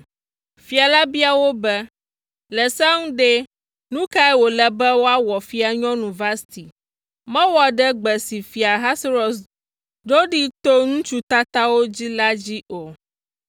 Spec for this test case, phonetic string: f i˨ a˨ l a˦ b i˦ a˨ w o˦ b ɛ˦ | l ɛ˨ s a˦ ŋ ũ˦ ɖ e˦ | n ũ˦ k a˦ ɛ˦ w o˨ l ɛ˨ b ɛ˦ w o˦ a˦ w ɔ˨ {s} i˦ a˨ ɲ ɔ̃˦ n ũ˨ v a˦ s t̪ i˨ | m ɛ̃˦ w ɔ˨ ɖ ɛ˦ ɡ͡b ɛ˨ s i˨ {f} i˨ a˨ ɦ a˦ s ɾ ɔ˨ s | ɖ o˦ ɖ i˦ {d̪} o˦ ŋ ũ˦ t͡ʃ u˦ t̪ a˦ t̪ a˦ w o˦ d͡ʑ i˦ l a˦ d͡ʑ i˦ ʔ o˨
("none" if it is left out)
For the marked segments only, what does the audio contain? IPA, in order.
f, f, t̪

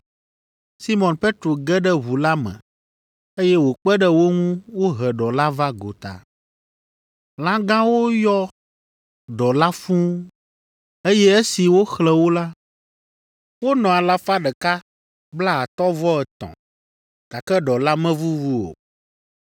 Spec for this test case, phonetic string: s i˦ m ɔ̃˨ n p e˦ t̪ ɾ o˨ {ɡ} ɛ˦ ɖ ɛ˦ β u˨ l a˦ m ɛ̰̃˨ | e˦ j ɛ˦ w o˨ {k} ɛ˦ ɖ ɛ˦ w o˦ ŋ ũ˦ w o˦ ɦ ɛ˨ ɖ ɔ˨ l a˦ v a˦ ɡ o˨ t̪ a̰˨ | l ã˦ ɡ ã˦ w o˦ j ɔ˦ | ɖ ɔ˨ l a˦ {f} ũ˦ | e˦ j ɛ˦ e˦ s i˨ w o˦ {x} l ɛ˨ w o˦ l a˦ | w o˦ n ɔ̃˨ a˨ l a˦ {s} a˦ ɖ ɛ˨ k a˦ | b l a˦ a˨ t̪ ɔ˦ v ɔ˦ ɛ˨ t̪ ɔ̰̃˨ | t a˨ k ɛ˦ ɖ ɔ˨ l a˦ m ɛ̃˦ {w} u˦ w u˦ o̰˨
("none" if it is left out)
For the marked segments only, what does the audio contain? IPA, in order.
ɡ, k͡p, f, x, f, v

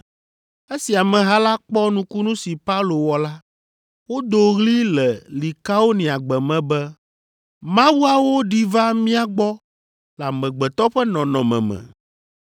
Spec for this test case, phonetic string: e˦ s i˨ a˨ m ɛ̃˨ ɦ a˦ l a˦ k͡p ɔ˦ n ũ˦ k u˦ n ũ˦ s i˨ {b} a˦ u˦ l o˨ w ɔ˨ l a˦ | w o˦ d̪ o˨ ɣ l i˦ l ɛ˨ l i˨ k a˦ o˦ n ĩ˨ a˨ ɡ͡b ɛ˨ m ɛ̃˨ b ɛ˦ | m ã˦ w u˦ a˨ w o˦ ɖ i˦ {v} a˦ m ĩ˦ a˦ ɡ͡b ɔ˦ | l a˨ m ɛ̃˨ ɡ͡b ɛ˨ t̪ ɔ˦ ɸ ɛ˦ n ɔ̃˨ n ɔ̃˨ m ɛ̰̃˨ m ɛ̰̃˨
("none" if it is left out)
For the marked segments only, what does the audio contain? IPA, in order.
p, v

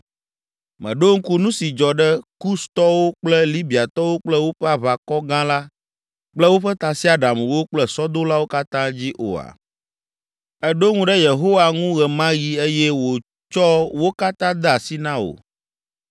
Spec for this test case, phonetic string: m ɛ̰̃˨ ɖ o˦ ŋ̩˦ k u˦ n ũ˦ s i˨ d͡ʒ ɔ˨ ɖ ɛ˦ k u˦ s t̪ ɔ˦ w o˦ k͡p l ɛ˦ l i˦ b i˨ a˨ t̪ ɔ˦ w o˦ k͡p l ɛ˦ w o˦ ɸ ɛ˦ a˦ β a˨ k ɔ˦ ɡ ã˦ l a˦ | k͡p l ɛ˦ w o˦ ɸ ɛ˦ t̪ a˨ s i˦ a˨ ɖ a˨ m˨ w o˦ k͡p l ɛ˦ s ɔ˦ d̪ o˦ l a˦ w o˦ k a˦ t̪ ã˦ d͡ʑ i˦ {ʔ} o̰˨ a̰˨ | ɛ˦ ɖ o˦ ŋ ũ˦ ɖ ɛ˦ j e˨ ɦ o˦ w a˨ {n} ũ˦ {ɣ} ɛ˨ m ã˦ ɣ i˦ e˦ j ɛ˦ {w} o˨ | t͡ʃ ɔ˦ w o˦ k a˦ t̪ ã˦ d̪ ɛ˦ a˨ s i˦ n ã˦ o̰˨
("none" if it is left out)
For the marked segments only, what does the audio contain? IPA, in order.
ʔ, ŋ, ɣ, w

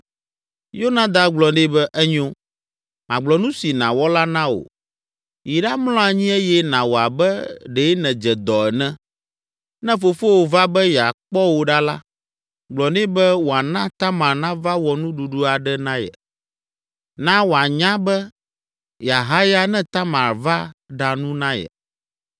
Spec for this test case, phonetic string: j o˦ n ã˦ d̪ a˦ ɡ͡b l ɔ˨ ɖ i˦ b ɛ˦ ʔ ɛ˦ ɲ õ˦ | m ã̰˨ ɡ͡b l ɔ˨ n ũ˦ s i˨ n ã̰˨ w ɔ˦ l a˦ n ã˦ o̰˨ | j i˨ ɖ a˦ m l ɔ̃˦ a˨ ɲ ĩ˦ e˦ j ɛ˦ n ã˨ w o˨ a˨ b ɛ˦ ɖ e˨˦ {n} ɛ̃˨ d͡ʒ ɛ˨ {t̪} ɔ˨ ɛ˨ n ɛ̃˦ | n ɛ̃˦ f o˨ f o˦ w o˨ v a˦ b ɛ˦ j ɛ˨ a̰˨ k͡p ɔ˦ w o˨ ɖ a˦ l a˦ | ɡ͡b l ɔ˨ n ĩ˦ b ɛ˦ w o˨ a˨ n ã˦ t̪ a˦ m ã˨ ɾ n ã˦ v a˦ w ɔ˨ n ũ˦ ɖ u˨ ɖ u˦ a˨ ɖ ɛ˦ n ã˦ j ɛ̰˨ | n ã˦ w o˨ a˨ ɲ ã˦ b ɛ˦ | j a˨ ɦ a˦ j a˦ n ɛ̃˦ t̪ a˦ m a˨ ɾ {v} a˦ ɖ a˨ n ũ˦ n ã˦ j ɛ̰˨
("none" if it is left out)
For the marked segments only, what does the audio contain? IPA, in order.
n, d̪, v

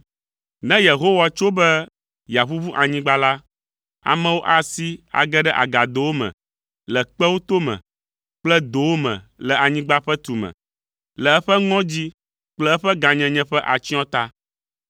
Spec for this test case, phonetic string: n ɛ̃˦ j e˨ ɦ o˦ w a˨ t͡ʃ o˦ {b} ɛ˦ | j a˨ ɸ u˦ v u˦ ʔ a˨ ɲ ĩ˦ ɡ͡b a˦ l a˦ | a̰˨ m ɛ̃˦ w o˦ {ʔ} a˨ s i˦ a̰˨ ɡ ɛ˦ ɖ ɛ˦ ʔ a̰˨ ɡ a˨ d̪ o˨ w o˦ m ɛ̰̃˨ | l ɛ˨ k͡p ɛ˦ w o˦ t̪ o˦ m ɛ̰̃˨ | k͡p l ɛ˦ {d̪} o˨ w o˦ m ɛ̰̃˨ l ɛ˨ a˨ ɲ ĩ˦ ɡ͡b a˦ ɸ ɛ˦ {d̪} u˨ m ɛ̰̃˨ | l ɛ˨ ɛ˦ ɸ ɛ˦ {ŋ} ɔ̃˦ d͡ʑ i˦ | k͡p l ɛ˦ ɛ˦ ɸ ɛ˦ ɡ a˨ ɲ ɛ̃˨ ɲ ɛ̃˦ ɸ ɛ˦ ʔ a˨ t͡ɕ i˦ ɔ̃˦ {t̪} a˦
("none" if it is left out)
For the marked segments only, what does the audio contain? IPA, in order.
b, ʔ, d̪, t̪, ŋ, t̪

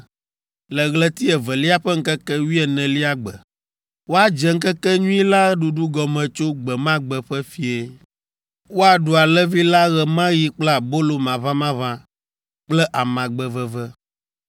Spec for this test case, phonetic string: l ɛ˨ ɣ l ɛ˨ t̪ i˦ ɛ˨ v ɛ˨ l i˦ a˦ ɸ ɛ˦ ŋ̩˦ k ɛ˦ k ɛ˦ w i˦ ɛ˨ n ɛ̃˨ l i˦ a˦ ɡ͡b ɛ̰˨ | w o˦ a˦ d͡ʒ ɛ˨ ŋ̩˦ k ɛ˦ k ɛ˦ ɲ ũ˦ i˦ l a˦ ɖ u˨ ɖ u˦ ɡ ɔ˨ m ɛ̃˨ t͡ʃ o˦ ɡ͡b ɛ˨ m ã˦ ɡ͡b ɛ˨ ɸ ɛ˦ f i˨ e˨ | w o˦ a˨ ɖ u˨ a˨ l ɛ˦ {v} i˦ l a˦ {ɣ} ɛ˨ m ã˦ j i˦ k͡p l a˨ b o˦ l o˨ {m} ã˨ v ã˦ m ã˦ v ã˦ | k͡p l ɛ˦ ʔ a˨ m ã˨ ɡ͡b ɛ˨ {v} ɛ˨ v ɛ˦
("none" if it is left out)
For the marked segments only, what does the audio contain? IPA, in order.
v, ɣ, m, v

